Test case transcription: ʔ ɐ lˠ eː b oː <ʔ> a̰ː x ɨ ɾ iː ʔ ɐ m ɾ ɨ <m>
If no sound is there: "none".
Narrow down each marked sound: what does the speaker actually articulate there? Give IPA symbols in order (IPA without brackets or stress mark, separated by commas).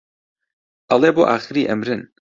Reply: ʔ, n